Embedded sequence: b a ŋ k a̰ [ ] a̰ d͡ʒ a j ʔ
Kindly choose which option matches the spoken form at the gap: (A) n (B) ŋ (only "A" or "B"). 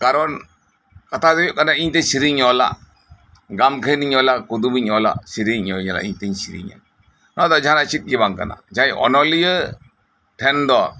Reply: A